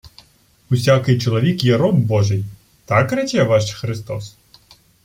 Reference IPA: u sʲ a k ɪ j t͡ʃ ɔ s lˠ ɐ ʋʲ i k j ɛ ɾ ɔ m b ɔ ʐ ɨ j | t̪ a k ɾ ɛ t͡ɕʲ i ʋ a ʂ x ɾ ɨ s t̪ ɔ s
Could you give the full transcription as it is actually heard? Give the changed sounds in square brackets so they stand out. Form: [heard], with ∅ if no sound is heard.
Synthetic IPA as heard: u sʲ a k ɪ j t͡ʃ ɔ [∅] lˠ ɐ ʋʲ i k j ɛ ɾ ɔ m b ɔ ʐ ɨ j | t̪ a k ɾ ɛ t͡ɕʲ [ɛ] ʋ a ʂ x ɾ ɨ s t̪ ɔ s